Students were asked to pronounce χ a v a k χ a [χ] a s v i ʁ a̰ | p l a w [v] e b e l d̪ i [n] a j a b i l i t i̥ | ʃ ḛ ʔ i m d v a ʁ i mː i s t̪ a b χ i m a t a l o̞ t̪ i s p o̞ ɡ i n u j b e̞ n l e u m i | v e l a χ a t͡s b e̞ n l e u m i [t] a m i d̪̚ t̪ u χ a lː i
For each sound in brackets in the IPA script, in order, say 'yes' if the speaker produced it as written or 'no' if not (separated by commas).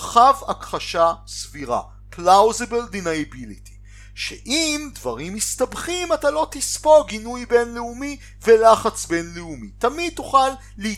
no, no, yes, yes